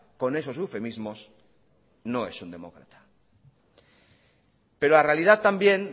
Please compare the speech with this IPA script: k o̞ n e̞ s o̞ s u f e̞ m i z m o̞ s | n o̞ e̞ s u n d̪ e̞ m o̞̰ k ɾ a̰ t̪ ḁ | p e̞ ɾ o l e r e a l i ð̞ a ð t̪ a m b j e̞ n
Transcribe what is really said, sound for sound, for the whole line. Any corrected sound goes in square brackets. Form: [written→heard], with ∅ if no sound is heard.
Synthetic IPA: k o̞ n e̞ s o̞ s u f e̞ m i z m o̞ s | n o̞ e̞ s u n d̪ e̞ m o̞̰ k ɾ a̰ t̪ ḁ | p e̞ ɾ o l [e→a] r e a l i ð̞ a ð t̪ a m b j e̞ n